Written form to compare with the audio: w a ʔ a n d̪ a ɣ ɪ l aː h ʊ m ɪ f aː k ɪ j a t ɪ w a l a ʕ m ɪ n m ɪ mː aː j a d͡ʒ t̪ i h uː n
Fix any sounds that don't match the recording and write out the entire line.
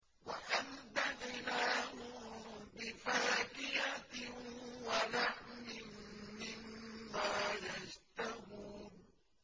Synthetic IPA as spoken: w a ʔ a n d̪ a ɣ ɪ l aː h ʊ b ɪ f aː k ɪ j a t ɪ w a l a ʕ m ɪ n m ɪ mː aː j a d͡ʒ t̪ a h uː n